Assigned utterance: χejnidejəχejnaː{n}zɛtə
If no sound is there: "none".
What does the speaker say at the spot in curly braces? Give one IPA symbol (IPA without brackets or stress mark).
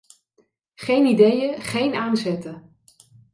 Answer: n